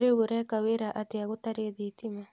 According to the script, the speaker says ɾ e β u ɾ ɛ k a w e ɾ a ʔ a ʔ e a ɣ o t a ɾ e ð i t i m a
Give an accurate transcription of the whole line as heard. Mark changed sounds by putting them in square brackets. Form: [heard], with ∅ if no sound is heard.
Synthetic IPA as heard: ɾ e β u ɾ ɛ k a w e ɾ a ʔ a [t] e a ɣ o t a ɾ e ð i t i m a